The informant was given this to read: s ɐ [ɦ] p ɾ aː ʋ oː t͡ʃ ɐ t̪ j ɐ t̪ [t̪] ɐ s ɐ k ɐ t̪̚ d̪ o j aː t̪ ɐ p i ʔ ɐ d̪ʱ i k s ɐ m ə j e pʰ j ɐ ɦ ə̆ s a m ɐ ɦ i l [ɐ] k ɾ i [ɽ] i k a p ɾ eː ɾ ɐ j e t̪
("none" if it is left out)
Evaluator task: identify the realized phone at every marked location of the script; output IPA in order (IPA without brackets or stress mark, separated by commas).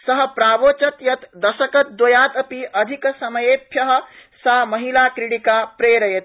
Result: ɦ, d̪, a, ɽ